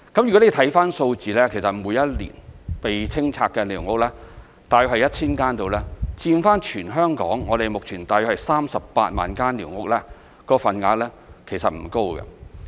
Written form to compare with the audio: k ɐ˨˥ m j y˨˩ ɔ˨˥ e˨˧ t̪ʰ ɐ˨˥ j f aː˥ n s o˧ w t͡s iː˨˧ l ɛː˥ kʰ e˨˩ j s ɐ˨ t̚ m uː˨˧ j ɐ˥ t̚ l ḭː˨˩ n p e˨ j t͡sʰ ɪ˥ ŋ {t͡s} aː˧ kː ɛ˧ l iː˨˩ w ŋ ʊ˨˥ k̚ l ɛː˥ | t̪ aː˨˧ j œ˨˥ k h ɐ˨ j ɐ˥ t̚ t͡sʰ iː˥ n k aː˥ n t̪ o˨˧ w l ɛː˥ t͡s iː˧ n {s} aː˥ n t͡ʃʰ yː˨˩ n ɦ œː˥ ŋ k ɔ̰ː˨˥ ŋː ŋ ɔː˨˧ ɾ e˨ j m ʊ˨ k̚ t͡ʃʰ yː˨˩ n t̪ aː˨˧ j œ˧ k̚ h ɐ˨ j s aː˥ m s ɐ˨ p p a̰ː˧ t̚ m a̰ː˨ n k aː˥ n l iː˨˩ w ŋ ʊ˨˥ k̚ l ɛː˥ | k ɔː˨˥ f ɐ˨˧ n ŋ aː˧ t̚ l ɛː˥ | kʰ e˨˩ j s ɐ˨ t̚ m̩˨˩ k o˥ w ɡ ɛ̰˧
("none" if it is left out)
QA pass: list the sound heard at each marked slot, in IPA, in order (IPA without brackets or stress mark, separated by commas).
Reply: t͡sʰ, f